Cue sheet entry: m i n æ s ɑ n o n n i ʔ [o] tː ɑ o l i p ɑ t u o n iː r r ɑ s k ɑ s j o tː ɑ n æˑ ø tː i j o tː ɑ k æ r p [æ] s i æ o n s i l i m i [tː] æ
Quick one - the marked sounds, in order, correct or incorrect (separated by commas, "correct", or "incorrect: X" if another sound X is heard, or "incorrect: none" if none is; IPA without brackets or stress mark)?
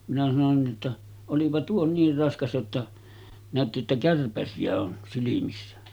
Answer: correct, correct, incorrect: sː